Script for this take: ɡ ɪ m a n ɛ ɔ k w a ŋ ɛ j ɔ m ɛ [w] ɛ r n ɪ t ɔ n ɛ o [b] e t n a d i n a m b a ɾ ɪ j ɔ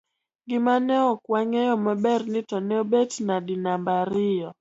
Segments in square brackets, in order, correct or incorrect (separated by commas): incorrect, correct